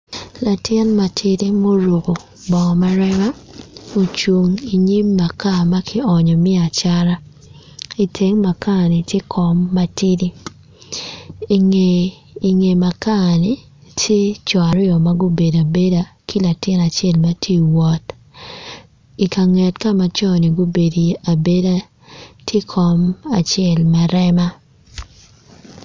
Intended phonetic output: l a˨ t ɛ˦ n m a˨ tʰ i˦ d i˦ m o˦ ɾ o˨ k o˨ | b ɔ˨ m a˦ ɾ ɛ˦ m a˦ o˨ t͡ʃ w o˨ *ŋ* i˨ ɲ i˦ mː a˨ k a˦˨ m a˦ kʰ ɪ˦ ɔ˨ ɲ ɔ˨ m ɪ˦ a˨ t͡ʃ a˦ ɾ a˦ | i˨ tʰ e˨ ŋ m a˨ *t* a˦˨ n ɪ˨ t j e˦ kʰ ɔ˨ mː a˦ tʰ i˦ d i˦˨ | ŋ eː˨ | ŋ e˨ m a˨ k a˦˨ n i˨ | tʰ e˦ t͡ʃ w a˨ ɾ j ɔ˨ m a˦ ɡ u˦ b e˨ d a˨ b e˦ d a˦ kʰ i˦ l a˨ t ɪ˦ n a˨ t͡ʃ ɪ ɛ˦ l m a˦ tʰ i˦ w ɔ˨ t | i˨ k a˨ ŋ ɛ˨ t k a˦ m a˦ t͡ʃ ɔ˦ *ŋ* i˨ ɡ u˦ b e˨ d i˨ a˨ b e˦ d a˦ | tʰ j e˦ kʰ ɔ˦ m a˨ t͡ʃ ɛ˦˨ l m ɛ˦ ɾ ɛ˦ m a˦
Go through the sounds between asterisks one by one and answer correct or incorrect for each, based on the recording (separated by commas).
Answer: correct, incorrect, incorrect